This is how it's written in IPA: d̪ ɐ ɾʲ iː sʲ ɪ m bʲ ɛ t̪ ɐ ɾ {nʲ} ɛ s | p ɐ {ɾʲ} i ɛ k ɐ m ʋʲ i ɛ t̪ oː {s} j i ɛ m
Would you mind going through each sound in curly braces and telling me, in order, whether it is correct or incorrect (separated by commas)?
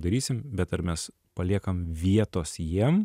incorrect, incorrect, correct